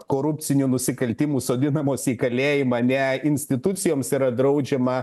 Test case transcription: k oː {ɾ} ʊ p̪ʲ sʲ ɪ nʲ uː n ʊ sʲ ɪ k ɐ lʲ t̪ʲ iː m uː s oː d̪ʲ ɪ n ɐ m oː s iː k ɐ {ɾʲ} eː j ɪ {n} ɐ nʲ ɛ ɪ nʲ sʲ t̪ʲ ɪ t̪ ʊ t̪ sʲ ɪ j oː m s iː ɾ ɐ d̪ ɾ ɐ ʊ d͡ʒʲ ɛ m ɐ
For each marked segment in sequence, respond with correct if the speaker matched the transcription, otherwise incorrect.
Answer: correct, incorrect, incorrect

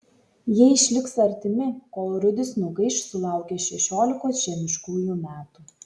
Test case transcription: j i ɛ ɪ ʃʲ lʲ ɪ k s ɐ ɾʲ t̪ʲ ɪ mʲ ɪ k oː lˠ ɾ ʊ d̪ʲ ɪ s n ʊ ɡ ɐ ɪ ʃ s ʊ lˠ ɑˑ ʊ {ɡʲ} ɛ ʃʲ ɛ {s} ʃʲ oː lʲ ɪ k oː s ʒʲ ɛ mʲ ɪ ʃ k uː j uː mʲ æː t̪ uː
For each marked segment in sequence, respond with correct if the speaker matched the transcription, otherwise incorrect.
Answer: incorrect, incorrect

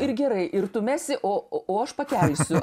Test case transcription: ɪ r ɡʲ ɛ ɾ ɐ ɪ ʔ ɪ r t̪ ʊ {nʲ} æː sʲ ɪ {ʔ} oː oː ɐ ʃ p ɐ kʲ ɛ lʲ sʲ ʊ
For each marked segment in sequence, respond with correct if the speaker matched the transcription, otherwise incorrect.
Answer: incorrect, correct

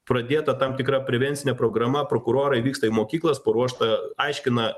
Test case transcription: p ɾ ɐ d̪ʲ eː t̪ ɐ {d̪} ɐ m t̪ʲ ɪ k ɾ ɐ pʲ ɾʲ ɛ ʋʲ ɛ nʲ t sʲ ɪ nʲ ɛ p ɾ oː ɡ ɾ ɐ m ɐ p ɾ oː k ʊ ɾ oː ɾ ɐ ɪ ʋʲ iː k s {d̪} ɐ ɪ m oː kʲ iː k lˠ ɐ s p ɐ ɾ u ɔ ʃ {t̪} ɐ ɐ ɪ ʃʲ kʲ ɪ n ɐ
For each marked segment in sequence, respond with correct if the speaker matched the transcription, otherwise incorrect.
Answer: incorrect, incorrect, correct

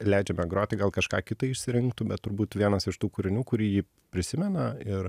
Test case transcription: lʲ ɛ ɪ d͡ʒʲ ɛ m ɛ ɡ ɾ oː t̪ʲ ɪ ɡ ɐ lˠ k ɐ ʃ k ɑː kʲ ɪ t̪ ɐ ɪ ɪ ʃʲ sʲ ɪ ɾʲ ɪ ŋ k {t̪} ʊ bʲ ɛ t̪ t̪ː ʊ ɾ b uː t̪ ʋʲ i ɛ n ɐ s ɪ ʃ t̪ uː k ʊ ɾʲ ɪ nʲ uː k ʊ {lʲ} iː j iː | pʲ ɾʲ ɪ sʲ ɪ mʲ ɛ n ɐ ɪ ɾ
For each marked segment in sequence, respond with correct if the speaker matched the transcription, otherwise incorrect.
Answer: correct, incorrect

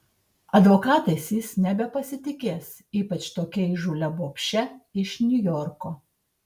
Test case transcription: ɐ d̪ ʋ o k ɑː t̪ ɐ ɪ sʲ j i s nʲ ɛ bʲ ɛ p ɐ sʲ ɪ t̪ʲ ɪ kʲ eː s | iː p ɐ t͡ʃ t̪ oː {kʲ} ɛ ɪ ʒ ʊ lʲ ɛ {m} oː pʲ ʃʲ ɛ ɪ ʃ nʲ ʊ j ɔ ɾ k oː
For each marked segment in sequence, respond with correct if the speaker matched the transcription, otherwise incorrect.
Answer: correct, incorrect

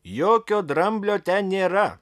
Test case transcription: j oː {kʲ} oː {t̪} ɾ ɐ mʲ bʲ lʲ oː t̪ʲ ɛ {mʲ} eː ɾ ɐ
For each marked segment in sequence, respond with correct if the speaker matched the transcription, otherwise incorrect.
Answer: correct, incorrect, incorrect

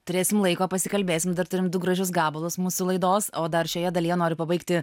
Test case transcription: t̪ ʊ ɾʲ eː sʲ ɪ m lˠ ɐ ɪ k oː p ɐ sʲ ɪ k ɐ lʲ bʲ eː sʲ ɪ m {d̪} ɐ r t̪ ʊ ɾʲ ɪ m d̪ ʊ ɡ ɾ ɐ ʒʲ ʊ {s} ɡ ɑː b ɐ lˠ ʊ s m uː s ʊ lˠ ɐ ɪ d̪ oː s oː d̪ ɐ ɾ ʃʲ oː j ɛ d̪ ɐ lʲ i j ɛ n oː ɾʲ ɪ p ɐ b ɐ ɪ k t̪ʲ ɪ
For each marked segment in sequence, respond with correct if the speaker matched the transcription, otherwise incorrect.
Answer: correct, correct

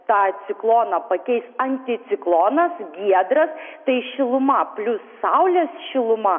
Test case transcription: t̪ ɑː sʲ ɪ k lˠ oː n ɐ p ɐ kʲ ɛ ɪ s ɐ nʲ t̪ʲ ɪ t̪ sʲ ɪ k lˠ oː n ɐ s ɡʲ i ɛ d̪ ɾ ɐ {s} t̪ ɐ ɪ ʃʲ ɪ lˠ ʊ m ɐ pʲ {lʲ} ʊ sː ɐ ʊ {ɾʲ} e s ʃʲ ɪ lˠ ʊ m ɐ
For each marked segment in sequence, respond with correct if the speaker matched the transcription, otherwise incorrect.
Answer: correct, correct, incorrect

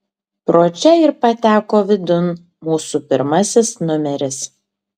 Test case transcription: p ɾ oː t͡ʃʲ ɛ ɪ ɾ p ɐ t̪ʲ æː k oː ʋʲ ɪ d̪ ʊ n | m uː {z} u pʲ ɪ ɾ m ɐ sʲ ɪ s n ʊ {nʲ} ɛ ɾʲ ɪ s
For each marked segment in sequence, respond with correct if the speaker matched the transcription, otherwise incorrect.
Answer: incorrect, incorrect

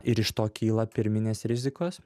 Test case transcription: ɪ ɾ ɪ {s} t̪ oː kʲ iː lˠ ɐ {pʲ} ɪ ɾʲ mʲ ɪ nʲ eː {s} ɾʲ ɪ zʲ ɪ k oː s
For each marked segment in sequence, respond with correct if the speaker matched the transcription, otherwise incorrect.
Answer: incorrect, correct, correct

